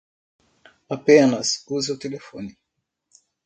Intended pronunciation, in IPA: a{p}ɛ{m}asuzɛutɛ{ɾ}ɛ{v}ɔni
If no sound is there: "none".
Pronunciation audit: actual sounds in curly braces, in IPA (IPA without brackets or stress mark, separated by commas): p, n, l, f